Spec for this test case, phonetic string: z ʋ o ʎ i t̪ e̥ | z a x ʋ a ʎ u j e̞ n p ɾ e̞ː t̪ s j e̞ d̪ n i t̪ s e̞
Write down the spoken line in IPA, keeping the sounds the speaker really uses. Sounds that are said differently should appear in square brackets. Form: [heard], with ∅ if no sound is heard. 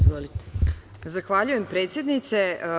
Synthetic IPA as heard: z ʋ o [l] i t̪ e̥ | z a x ʋ a ʎ u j e̞ [m] p ɾ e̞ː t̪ s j e̞ d̪ n i t̪ s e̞